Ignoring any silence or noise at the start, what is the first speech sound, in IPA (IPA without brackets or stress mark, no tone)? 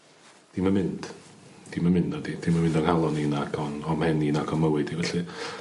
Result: d̥